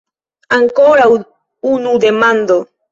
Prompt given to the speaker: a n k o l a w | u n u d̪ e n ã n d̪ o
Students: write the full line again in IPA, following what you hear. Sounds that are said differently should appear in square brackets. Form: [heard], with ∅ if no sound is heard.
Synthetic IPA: a [ŋ] k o [ɾ] a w | u n u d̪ e [m] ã n d̪ o